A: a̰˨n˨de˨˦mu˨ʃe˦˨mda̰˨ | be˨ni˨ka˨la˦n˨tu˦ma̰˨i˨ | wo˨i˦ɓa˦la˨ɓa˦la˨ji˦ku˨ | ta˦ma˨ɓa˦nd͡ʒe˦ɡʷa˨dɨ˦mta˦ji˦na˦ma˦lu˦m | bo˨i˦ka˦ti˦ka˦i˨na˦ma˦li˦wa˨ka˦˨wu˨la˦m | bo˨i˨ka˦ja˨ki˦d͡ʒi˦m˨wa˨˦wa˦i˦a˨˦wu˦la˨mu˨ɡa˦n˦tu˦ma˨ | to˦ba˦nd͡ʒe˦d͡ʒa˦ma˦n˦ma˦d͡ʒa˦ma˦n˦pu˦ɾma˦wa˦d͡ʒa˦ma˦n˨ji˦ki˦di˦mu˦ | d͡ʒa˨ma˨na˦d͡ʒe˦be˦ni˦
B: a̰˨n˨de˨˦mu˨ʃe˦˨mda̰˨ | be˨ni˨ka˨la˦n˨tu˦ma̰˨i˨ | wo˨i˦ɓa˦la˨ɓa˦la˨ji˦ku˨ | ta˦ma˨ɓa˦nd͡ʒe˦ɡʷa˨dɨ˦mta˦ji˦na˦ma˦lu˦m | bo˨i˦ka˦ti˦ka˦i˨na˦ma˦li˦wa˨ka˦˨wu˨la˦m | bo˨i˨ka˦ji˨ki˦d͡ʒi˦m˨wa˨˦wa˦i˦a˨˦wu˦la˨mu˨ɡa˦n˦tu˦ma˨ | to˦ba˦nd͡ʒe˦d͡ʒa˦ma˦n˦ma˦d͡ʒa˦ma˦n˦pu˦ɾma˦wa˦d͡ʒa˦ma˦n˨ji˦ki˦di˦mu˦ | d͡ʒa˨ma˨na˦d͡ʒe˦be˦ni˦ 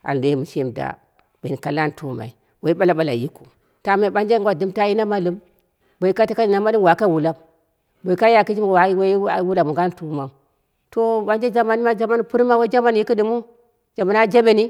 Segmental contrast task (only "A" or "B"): A